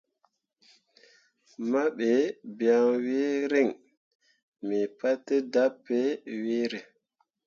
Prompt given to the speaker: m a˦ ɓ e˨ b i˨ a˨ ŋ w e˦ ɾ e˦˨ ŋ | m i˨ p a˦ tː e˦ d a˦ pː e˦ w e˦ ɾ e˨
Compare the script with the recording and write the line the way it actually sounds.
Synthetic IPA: m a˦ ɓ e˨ b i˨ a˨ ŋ w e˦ ɾ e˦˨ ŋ | m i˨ p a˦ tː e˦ d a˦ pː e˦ w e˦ ɾ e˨

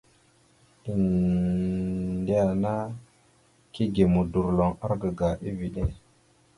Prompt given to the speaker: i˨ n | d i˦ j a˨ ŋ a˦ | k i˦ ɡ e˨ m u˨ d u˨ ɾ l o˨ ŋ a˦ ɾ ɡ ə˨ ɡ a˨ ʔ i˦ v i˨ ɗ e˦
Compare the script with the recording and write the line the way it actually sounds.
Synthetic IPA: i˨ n | d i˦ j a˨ n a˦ | k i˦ ɡ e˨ m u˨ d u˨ ɾ l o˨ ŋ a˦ ɾ ɡ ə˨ ɡ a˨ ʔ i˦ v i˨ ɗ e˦

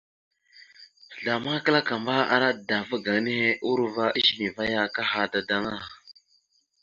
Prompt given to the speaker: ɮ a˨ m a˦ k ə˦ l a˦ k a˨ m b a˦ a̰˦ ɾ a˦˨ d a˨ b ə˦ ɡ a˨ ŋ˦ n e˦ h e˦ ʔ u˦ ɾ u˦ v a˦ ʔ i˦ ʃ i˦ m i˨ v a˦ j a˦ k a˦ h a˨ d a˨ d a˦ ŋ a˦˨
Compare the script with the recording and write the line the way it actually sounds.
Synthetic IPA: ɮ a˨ m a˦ k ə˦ l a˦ k a˨ m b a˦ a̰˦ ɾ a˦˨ d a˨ v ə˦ ɡ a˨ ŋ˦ n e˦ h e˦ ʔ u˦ ɾ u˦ v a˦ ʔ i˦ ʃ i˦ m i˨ v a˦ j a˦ k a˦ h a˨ d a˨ d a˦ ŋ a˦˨

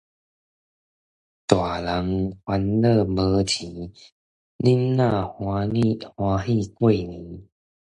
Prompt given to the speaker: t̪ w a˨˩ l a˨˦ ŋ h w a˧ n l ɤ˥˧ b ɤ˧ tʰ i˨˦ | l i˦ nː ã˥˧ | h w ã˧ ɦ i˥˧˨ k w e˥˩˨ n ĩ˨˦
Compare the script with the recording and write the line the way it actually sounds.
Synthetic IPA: t̪ w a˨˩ l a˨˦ ŋ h w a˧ n l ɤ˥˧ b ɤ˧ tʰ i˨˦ | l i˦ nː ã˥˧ | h w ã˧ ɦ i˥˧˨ k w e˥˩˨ n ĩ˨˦

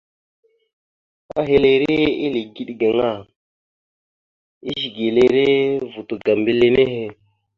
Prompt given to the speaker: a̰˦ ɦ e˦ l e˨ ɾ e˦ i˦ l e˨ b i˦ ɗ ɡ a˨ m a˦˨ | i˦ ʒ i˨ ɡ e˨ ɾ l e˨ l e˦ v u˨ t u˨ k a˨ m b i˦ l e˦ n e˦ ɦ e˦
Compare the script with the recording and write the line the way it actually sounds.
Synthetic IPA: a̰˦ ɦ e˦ l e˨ ɾ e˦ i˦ l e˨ ɡ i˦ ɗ ɡ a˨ ŋ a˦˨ | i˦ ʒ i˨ ɡ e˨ l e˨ ɾ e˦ v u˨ t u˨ ɡ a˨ m b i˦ l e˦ n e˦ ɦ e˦

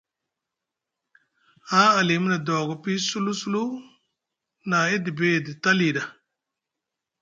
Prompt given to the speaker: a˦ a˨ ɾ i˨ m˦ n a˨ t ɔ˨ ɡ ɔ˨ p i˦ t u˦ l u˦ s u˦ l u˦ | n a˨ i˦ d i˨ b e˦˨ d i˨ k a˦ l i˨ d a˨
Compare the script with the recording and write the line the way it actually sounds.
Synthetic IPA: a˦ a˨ l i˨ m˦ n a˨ d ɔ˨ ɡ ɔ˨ p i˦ s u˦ l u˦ s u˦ l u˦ | n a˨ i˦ d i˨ b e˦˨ d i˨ t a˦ l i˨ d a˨

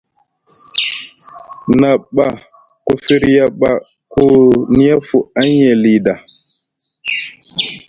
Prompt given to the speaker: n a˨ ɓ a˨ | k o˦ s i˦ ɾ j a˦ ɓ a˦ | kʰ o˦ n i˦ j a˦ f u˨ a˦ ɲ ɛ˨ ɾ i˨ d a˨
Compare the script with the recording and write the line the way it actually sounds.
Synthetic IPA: n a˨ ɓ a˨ | k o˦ f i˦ ɾ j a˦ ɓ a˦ | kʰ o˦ n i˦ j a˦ f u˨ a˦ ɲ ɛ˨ l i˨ d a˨

